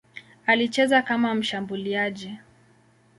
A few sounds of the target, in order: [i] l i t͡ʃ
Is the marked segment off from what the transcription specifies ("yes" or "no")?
yes